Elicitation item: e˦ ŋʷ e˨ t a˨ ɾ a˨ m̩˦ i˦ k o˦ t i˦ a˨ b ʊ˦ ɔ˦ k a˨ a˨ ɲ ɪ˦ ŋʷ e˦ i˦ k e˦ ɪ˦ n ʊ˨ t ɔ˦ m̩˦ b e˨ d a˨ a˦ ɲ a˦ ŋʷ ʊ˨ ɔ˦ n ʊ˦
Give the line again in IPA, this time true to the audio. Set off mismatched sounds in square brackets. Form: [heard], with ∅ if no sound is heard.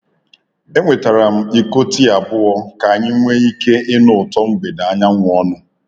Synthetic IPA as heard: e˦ ŋʷ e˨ t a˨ ɾ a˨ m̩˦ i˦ k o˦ t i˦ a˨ b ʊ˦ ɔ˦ k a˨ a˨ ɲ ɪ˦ ŋʷ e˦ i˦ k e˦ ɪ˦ n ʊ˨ t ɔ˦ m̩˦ b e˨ d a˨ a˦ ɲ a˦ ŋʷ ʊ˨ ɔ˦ n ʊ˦

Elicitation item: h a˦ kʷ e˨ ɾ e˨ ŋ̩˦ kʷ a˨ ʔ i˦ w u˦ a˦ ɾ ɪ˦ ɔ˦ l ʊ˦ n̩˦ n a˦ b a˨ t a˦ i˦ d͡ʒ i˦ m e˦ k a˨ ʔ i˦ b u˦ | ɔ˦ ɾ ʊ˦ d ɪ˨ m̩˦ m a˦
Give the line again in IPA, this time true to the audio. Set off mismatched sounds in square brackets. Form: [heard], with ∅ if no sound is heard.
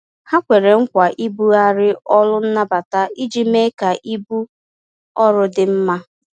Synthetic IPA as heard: h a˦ kʷ e˨ ɾ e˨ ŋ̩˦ kʷ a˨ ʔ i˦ [b] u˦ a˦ ɾ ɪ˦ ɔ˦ l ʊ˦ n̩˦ n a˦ b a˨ t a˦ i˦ d͡ʒ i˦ m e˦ k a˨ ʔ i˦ b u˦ | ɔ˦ ɾ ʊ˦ d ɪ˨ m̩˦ m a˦

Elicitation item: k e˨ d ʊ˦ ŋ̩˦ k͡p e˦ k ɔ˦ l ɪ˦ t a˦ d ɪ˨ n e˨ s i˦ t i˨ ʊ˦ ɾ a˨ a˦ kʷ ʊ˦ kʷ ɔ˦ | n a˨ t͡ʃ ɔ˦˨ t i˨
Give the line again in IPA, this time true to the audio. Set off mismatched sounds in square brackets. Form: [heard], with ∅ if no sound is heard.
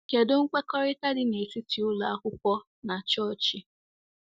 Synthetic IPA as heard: k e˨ d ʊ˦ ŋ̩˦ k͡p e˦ k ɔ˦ [ɾ] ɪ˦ t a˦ d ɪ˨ n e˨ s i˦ t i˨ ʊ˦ [l] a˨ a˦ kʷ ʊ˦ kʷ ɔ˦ | n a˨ t͡ʃ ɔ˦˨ [t͡ʃ] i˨

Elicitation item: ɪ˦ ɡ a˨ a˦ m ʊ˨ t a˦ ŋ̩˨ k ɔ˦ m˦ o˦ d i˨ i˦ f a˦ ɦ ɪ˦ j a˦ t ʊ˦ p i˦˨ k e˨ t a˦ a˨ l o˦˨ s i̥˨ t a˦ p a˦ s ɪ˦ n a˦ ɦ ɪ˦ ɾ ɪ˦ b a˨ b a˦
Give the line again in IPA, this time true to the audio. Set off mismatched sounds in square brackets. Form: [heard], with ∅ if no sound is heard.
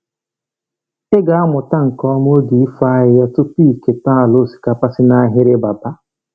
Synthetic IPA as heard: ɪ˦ ɡ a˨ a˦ m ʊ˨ t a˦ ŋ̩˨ k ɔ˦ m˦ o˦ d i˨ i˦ f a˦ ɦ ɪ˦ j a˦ t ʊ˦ p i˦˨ k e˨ t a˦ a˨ l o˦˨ s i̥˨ [k] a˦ p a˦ s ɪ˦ n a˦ ɦ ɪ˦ ɾ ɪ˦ b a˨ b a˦

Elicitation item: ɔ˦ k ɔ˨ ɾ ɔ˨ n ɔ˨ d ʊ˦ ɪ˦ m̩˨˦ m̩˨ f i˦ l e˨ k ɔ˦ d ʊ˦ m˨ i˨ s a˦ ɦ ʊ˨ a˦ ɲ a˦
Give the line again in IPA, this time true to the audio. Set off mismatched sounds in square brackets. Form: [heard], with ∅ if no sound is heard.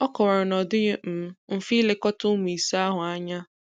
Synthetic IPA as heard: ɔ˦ k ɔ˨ ɾ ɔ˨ n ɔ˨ d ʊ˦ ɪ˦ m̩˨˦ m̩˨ f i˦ l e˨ k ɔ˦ [t] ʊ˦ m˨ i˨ s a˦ ɦ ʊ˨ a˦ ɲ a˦

